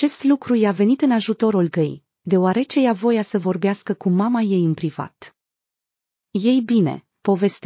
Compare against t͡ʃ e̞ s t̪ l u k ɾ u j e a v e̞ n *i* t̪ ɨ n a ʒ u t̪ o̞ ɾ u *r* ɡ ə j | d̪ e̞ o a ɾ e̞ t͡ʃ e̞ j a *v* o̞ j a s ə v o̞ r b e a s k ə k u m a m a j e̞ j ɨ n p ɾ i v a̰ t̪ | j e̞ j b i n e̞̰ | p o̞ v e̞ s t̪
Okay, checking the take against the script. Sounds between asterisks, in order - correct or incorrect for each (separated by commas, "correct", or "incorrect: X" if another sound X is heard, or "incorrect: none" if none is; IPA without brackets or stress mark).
correct, incorrect: l, correct